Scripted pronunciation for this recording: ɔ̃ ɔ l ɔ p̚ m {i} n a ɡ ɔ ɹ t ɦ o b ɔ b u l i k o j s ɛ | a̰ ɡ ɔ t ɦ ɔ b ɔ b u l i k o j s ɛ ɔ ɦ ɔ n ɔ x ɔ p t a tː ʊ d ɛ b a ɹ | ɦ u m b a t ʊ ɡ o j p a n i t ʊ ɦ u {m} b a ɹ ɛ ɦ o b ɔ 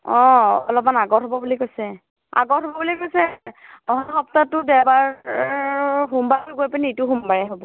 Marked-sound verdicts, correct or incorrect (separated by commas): incorrect, correct